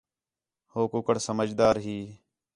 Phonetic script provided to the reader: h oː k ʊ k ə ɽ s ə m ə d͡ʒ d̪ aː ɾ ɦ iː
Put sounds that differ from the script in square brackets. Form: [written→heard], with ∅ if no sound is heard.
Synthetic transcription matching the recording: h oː k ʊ k ə ɽ s ə m ə d͡ʒ d̪ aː ɾ ɦ iː